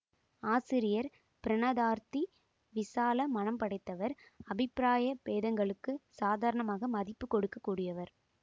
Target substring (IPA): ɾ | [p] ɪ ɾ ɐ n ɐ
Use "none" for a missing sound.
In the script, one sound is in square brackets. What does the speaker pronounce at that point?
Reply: p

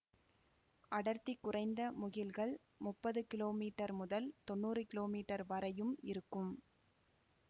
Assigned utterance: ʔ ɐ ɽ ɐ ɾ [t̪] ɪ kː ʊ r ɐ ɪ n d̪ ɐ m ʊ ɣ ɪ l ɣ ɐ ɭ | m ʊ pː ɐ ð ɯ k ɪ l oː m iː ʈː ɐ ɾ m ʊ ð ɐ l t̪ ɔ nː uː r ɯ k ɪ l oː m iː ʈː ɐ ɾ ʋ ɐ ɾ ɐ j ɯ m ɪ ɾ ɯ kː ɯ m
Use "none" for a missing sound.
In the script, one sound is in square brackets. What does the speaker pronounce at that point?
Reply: t̪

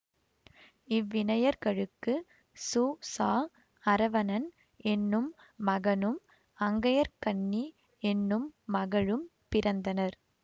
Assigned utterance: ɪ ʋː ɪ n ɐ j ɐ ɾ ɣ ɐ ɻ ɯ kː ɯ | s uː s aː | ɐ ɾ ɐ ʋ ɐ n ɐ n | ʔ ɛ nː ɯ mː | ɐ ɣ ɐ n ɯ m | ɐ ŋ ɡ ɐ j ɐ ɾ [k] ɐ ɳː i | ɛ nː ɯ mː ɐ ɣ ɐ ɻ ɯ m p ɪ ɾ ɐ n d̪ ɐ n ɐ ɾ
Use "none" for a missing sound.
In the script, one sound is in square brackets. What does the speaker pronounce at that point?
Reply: k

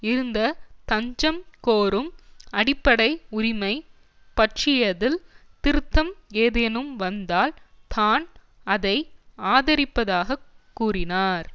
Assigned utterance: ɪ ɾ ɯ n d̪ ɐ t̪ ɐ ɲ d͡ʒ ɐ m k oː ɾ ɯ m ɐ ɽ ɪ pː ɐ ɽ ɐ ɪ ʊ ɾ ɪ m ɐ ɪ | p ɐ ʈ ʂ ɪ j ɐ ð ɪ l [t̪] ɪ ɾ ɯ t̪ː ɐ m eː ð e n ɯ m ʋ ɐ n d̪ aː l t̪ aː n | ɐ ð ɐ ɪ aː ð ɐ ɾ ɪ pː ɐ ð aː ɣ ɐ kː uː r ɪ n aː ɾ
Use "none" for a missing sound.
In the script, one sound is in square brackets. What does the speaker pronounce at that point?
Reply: t̪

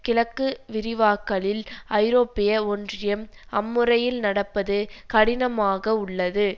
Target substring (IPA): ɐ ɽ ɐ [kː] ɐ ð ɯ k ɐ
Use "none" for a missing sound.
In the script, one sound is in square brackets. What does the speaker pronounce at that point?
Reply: pː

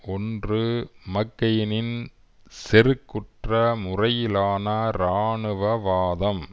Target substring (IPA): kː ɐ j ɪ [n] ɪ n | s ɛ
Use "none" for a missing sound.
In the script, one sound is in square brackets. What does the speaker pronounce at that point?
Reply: n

